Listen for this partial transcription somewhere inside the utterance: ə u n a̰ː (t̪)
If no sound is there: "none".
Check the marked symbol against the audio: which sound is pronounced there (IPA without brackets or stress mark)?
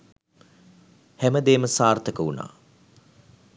none